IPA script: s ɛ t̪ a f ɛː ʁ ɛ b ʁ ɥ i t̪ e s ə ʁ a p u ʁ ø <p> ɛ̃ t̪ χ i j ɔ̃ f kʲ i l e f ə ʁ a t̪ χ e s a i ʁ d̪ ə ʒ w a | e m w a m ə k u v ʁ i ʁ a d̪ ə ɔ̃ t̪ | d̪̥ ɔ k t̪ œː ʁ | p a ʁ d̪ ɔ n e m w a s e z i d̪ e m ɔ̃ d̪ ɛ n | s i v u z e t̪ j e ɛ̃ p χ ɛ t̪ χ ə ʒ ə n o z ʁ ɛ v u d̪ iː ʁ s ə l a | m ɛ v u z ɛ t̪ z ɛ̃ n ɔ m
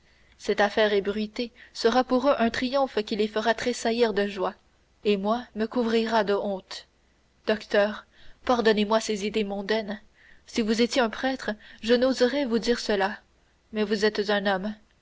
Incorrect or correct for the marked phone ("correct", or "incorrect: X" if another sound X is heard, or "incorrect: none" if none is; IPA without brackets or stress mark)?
incorrect: ʔ